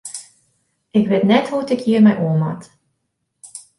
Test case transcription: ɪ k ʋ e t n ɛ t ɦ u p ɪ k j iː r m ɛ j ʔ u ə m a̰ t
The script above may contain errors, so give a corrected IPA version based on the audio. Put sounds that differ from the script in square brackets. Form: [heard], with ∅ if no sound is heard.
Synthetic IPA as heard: ɪ k ʋ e t n ɛ t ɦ u [t] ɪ k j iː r m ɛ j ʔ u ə m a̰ t